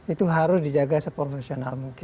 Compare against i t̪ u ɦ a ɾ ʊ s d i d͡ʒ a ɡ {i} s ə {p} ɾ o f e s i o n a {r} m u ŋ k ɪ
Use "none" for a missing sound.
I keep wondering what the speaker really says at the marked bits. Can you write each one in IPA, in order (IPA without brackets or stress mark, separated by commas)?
a, p, l